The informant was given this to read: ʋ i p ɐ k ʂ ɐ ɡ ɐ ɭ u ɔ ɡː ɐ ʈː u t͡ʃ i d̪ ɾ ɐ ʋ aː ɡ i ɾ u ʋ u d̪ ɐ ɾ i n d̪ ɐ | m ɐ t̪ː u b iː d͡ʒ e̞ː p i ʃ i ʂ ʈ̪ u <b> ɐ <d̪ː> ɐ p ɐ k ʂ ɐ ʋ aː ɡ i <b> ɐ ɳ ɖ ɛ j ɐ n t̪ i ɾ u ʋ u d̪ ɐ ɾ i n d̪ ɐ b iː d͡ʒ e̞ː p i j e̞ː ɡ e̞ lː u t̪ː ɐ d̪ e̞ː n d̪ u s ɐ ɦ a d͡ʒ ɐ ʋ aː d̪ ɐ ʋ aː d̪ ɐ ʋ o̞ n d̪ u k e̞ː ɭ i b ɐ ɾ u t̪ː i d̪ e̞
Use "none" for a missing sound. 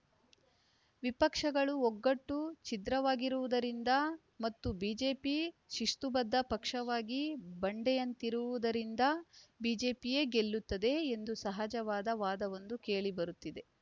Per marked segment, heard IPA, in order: b, d̪ː, b

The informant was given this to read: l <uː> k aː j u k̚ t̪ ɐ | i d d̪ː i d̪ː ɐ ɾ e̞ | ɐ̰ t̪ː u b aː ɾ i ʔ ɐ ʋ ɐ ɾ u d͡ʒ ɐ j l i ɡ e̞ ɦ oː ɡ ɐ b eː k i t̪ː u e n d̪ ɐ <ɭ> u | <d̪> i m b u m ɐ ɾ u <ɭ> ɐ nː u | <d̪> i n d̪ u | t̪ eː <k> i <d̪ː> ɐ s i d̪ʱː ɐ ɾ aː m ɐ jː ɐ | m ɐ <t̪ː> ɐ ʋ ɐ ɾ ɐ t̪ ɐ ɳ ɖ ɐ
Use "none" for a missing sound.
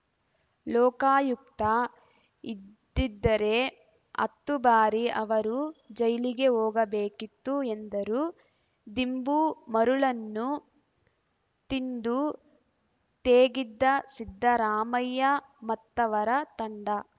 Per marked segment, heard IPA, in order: ɔː, ɾ, d̪, ɭ, t̪, ɡ, d̪ː, t̪ː

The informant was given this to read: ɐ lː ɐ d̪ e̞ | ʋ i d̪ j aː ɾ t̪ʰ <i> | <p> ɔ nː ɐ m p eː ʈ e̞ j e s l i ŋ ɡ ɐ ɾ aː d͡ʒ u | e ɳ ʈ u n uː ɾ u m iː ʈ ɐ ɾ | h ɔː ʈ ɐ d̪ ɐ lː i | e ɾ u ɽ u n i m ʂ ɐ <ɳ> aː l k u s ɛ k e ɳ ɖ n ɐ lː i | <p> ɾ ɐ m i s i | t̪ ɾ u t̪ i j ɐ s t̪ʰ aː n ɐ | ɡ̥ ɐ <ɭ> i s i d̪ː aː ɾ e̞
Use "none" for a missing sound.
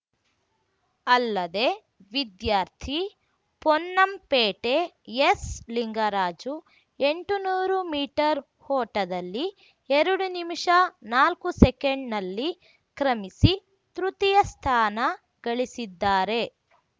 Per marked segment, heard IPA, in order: i, p, n, k, ɭ

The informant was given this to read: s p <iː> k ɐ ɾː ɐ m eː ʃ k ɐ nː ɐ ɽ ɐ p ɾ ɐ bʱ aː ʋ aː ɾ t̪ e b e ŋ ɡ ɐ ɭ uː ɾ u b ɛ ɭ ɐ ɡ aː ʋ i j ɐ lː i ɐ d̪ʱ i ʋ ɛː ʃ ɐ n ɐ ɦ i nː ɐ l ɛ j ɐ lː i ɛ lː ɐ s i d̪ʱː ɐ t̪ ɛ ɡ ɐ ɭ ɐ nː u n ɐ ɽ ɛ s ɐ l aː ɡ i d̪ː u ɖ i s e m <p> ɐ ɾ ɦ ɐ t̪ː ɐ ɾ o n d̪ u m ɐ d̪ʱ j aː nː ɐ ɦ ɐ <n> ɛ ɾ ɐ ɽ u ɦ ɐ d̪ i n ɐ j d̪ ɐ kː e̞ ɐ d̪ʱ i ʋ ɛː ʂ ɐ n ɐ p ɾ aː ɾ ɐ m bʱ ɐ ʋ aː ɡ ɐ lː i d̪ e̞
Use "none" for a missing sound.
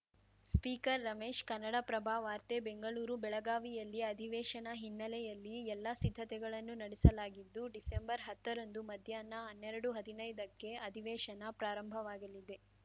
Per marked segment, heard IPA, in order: iː, b, nː

